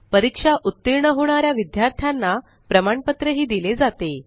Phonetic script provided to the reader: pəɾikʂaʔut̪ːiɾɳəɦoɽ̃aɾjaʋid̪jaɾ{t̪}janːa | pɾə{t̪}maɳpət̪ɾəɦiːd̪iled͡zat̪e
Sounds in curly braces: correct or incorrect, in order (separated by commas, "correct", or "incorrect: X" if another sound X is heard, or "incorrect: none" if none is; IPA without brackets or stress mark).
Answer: incorrect: t̪ʰ, incorrect: none